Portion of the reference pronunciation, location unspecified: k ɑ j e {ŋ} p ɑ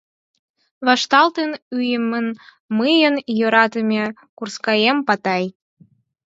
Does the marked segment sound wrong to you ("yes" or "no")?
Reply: yes